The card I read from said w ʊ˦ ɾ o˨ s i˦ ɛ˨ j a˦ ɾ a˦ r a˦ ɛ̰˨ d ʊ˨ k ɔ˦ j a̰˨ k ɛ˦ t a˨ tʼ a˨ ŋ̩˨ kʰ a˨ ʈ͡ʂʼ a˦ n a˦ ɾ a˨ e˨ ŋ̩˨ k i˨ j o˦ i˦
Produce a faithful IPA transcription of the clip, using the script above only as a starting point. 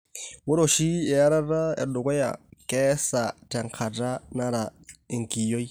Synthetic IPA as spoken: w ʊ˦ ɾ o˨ ʃ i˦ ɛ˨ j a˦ ɾ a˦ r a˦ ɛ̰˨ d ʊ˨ k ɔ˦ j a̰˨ k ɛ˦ s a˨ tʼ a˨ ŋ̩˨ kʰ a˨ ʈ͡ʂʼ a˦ n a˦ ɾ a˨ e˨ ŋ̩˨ k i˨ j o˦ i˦